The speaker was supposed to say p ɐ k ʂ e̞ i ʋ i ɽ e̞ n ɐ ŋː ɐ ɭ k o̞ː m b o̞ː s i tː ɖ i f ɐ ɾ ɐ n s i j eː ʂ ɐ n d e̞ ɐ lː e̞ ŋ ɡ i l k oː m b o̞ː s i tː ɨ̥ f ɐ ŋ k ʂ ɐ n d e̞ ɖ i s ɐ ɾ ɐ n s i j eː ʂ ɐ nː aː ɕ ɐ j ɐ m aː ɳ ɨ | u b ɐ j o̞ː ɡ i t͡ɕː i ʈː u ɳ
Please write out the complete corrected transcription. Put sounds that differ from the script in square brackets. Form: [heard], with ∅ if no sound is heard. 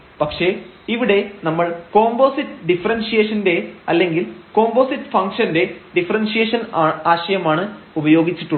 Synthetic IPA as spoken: p ɐ k ʂ e̞ i ʋ i ɽ e̞ n ɐ [mː] ɐ ɭ k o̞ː m b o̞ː s i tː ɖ i f ɐ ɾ ɐ n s i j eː ʂ ɐ n d e̞ ɐ lː e̞ ŋ ɡ i l k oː m b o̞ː s i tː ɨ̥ f ɐ ŋ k ʂ ɐ n d e̞ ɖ i [f] ɐ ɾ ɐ n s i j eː ʂ ɐ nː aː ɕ ɐ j ɐ m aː ɳ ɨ | u b ɐ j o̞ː ɡ i t͡ɕː i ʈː u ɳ